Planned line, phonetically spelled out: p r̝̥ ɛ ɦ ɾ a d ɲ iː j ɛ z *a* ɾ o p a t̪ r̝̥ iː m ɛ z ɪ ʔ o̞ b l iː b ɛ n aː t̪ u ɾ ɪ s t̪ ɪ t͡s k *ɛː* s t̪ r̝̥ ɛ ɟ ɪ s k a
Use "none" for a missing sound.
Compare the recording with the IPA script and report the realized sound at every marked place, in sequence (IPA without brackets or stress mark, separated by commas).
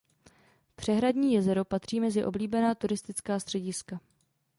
ɛ, aː